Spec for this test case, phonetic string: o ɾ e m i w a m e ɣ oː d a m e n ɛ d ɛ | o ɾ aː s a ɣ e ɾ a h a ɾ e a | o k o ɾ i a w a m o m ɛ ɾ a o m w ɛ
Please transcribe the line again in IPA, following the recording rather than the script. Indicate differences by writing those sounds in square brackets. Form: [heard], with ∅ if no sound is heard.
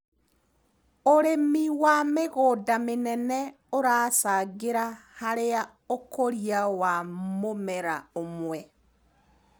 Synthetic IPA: o ɾ e m i w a m e ɣ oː d a m e n ɛ [n] ɛ | o ɾ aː s a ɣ e ɾ a h a ɾ e a | o k o ɾ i a w a m o m ɛ ɾ a o m w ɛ